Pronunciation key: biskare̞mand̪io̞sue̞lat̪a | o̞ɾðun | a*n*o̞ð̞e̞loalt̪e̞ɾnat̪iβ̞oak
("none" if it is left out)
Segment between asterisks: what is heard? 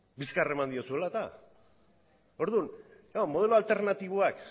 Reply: m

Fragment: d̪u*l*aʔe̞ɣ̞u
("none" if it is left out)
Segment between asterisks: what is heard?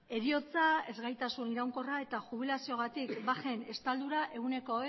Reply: ɾ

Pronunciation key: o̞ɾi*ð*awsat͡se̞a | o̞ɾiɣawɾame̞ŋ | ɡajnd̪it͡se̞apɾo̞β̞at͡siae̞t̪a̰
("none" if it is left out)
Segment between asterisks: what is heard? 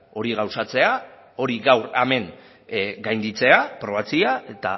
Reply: ɣ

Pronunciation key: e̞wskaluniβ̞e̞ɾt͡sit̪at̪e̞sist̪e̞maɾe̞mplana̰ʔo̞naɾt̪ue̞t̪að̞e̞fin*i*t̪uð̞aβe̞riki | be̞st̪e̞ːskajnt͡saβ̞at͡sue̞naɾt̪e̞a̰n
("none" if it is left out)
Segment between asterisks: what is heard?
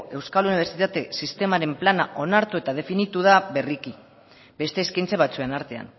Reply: i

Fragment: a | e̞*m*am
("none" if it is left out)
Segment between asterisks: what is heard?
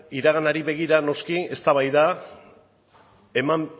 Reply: m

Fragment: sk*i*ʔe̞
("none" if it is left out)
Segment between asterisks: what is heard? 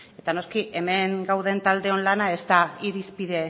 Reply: i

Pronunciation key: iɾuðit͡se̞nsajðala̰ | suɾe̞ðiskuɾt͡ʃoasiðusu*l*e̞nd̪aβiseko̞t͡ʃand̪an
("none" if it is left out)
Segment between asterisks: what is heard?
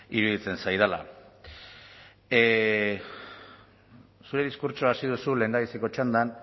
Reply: l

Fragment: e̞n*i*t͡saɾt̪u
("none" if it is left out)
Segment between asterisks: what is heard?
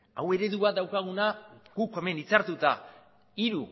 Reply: i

